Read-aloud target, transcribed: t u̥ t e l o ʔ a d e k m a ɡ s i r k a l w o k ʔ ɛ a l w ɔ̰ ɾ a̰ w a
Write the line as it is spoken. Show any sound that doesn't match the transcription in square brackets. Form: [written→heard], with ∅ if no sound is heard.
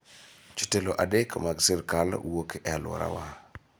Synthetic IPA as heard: [t→t͡ʃ] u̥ t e l o ʔ a d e k m a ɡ s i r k a l w o k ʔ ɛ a l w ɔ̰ ɾ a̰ w a